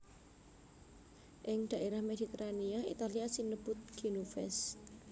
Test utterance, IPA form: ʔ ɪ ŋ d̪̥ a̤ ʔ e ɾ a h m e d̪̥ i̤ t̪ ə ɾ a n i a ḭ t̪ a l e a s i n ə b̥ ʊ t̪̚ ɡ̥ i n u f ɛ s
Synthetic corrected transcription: ʔ ɪ ŋ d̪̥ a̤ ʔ e ɾ a h m e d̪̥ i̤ t̪ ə ɾ a n i a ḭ t̪ a l i a s i n ə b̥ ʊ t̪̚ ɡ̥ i n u f ɛ s